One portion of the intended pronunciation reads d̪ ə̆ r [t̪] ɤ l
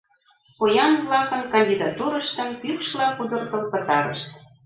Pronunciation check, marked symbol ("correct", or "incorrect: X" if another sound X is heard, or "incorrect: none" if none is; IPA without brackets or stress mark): correct